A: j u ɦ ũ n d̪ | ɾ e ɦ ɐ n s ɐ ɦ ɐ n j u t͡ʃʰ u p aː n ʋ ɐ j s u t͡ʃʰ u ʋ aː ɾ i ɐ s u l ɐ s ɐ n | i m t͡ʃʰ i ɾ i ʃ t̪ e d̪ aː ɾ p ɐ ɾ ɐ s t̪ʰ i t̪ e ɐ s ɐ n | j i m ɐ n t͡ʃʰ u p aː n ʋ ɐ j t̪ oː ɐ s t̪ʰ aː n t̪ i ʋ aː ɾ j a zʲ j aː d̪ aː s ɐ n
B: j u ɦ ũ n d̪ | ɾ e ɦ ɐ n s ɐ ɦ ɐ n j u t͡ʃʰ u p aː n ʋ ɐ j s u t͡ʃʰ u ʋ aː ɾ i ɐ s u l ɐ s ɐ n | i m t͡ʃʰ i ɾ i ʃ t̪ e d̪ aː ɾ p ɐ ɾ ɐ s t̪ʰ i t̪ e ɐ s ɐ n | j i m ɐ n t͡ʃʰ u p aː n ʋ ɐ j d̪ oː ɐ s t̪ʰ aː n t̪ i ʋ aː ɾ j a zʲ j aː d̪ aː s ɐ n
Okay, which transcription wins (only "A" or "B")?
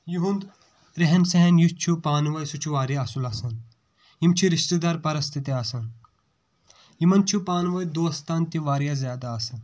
B